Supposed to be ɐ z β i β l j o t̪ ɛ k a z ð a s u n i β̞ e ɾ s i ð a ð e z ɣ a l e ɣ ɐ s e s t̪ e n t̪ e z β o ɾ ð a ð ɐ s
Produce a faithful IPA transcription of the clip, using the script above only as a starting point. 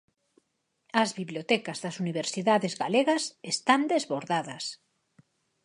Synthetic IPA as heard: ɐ z β i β l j o t̪ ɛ k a z ð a s u n i β̞ e ɾ s i ð a ð e z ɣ a l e ɣ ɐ s e s t̪ a n d̪ e z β o ɾ ð a ð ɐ s